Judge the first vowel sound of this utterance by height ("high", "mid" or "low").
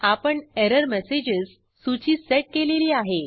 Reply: low